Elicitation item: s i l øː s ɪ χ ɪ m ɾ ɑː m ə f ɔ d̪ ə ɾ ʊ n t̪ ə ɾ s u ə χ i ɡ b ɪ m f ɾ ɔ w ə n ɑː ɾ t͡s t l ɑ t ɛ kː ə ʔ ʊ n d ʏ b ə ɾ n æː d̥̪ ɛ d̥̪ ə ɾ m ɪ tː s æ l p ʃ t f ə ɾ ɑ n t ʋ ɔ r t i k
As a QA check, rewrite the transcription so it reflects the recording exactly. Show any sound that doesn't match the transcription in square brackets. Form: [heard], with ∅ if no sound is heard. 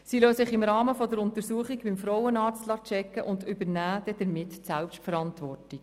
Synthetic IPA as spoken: s i l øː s ɪ χ ɪ m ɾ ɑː m ə f ɔ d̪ ə ɾ ʊ n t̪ ə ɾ s u ə χ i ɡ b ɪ m f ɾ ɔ w ə n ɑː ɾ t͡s t l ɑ [t͡ʃ] ɛ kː ə ʔ ʊ n d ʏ b ə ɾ n æː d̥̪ ɛ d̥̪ ə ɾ m ɪ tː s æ l p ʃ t f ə ɾ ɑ n t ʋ ɔ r t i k